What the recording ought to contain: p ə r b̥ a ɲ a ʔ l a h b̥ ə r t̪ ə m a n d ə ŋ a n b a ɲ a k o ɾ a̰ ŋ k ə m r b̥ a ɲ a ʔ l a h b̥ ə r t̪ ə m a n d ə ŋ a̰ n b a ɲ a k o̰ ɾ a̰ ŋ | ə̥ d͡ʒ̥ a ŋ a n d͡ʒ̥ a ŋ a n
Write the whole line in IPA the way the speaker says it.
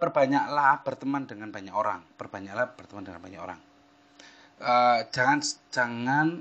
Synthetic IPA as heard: p ə r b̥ a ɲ a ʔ l a h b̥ ə r t̪ ə m a n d ə ŋ a n b a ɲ a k o ɾ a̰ ŋ p ə r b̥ a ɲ a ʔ l a h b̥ ə r t̪ ə m a n d ə ŋ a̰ n b a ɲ a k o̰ ɾ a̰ ŋ | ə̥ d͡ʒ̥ a ŋ a n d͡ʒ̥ a ŋ a n